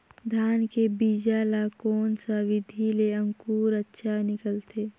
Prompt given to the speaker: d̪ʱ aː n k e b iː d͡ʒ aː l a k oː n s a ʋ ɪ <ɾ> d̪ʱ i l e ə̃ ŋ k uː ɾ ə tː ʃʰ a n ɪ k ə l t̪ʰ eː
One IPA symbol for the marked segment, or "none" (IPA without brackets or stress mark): none